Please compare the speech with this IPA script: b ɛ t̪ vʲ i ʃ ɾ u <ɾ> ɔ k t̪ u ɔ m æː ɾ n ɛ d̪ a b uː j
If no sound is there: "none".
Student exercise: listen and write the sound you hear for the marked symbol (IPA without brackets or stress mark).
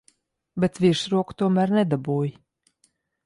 none